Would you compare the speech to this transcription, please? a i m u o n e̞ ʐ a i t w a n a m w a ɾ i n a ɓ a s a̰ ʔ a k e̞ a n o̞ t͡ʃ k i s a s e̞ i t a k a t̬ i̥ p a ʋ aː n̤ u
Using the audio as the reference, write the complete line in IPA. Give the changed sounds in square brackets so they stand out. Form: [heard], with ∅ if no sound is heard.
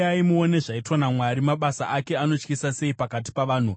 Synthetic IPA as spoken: a i m u o n e̞ ʐ a i t w a n a m w a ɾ i [m] a ɓ a s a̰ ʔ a k e̞ a n o̞ t͡ʃ k i s a s e̞ i [p] a k a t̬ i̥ p a ʋ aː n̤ u